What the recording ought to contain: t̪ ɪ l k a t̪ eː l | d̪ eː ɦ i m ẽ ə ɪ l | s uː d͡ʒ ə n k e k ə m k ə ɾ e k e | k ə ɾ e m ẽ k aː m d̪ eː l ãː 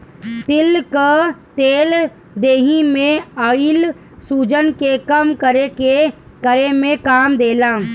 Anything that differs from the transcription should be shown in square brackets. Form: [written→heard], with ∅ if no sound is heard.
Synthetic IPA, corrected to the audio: t̪ ɪ l k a t̪ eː l | d̪ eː ɦ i m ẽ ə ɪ l | s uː d͡ʒ ə n k e k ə m k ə ɾ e k e | k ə ɾ e m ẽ k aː m d̪ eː l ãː